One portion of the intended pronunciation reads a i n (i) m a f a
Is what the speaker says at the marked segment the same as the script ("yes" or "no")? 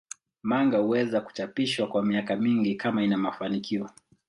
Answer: no